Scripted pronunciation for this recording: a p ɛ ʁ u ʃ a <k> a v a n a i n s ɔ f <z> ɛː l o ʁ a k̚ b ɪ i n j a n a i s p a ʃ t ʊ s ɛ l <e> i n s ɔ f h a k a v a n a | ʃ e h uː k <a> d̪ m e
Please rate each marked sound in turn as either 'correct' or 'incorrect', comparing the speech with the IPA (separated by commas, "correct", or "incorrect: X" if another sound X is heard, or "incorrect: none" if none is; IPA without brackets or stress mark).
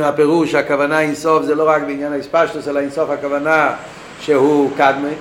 correct, correct, incorrect: a, correct